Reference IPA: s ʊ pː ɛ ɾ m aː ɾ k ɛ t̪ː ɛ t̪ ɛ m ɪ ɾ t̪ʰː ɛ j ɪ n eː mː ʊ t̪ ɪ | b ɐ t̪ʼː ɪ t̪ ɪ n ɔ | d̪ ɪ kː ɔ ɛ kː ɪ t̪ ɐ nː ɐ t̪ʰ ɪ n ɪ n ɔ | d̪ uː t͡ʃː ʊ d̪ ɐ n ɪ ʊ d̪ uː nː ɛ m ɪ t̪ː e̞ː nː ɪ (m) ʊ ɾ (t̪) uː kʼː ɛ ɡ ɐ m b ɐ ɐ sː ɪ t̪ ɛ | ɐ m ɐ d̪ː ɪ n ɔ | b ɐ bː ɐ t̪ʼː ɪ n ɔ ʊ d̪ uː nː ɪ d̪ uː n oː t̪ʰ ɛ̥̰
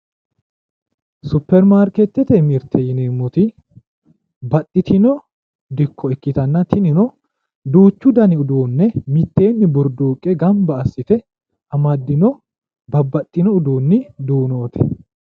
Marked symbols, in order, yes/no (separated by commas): no, no